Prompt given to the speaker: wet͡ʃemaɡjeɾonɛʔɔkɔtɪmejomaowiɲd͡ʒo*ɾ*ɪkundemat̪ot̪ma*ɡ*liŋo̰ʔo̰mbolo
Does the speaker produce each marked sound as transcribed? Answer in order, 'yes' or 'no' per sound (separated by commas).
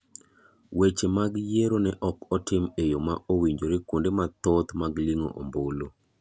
yes, yes